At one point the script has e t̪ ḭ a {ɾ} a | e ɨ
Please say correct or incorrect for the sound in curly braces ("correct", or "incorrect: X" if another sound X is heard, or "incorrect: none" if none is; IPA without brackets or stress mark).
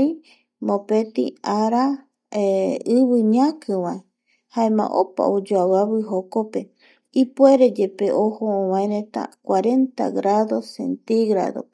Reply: correct